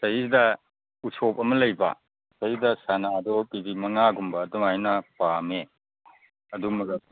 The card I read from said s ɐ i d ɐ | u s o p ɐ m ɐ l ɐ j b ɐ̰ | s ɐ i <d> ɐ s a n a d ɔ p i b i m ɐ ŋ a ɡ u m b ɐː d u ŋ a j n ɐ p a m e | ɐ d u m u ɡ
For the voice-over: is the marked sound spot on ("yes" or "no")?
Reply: yes